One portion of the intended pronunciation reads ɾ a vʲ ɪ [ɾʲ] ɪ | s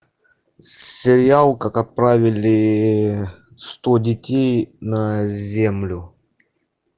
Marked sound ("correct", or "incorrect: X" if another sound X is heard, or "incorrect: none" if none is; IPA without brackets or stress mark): incorrect: lʲ